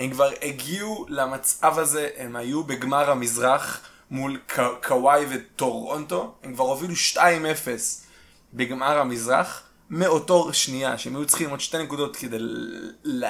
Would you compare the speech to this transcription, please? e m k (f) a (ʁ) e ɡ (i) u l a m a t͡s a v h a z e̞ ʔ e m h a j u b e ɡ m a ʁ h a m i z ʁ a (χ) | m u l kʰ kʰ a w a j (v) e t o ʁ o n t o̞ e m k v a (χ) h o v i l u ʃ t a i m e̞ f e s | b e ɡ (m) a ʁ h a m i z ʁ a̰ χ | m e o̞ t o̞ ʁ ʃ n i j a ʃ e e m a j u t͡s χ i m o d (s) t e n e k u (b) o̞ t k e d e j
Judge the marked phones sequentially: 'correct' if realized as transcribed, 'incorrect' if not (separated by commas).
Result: incorrect, correct, correct, correct, correct, incorrect, correct, incorrect, incorrect